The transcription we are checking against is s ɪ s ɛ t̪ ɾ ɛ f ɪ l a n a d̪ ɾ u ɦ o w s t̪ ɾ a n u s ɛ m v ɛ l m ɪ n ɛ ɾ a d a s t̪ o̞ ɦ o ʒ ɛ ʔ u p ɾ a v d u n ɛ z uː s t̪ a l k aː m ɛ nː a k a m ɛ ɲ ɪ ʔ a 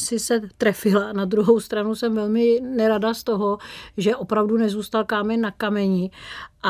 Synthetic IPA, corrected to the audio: s ɪ s ɛ t̪ ɾ ɛ f ɪ l a n a d̪ ɾ u ɦ o w s t̪ ɾ a n u s ɛ m v ɛ l m ɪ n ɛ ɾ a d a s t̪ o̞ ɦ o ʒ ɛ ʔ o p ɾ a v d u n ɛ z uː s t̪ a l k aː m ɛ nː a k a m ɛ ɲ ɪ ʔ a